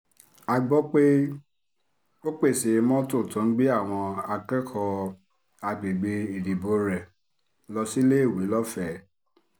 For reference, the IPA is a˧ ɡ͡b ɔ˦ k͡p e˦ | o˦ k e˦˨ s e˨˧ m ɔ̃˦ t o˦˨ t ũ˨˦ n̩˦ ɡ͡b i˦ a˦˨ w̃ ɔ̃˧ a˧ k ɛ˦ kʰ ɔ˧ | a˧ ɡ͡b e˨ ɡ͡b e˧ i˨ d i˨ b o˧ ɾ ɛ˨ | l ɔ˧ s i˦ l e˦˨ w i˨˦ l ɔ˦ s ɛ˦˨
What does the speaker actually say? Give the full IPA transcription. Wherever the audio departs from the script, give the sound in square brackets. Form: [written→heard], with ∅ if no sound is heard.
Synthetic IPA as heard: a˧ ɡ͡b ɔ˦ k͡p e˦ | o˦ [k→k͡p] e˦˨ s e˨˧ m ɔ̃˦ t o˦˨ t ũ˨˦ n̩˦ ɡ͡b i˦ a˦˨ w̃ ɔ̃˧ a˧ k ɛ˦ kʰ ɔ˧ | a˧ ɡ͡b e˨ ɡ͡b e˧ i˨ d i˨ b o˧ ɾ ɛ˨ | l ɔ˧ s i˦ l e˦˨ w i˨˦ l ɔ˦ [s→f] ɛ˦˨